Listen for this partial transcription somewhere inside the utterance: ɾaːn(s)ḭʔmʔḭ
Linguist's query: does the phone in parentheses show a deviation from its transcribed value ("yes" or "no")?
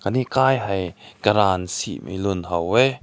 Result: no